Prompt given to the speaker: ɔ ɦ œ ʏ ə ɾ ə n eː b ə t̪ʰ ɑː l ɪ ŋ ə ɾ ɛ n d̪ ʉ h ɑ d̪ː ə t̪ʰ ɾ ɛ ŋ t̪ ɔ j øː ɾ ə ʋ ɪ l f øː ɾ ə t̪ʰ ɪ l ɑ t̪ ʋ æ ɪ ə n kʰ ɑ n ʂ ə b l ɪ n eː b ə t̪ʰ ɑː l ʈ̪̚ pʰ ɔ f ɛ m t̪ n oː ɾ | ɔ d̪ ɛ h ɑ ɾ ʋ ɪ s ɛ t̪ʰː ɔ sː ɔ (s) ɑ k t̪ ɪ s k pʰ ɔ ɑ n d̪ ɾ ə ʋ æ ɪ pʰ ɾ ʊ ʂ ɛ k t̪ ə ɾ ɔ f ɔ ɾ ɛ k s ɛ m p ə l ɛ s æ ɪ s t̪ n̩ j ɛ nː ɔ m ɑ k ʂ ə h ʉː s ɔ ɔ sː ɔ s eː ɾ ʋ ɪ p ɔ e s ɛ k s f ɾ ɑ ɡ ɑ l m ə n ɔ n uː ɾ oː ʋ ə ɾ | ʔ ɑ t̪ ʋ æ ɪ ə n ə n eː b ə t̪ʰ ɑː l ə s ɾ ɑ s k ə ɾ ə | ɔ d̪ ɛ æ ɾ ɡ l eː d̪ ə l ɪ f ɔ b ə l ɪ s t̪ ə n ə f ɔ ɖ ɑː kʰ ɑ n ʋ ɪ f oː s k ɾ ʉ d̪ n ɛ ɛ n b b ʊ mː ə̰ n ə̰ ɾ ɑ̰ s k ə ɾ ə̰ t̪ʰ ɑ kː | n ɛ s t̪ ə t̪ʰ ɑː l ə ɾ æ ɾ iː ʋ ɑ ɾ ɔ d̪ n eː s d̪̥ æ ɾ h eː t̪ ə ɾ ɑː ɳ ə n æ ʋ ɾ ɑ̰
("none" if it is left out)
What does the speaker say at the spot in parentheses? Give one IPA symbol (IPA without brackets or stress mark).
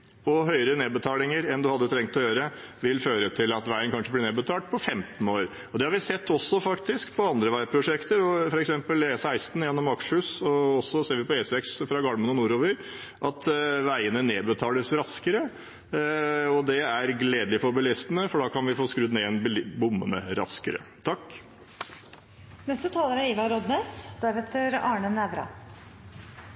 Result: f